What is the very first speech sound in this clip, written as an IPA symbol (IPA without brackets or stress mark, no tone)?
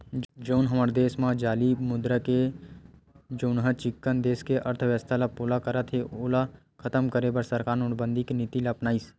d͡ʒ